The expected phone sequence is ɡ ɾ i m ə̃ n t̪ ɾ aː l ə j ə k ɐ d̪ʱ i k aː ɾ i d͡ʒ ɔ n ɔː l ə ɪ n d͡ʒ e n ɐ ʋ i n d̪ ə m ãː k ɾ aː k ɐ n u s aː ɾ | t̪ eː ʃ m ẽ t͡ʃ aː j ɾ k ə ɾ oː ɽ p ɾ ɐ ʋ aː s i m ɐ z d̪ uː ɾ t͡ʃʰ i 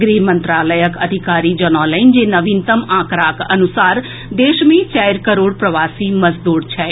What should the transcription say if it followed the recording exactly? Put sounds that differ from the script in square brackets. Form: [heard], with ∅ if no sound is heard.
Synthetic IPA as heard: ɡ ɾ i m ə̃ n t̪ ɾ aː l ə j ə k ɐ d̪ʱ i k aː ɾ i d͡ʒ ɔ n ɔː l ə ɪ n d͡ʒ e n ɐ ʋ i n [t̪] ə m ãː k ɾ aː k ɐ n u s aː ɾ | [d̪] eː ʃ m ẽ t͡ʃ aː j ɾ k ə ɾ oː ɽ p ɾ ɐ ʋ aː s i m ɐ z d̪ uː ɾ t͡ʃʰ [ɛ]